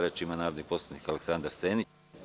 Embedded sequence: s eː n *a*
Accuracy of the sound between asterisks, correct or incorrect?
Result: incorrect: i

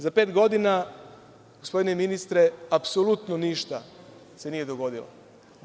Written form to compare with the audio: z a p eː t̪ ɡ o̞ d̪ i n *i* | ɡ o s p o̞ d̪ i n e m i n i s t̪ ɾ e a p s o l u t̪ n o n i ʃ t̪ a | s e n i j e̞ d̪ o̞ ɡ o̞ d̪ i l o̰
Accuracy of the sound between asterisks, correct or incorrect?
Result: incorrect: a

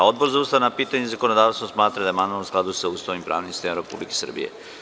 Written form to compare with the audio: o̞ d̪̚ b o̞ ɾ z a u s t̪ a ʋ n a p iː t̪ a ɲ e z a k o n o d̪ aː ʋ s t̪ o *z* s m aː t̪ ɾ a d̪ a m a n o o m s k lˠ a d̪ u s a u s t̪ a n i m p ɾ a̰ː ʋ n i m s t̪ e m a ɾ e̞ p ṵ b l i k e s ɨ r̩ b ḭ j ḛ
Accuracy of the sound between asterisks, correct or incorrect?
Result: incorrect: none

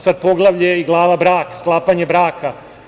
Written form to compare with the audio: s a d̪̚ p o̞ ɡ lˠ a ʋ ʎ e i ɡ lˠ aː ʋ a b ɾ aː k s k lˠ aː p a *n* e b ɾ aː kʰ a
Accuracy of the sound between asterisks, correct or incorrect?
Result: incorrect: ɲ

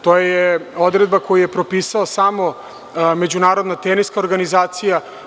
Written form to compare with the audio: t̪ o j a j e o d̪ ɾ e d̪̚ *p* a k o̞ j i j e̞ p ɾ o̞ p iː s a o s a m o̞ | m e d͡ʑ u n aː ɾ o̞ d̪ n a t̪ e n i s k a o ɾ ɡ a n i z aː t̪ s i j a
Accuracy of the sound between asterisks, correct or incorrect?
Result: incorrect: b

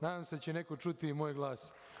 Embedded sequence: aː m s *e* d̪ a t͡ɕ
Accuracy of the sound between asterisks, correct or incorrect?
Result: correct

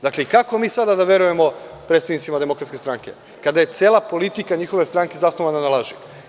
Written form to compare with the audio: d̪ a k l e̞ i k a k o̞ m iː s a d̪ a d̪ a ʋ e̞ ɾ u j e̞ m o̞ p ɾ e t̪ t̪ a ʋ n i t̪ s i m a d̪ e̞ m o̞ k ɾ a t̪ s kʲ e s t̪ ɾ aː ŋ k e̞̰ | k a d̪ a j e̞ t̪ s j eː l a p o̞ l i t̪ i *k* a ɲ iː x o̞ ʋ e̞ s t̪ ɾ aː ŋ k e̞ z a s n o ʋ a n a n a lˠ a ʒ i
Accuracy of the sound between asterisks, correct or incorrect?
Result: correct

